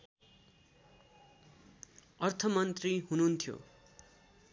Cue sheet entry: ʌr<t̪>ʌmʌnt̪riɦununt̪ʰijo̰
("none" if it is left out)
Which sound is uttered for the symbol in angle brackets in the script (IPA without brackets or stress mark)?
t̪ʰ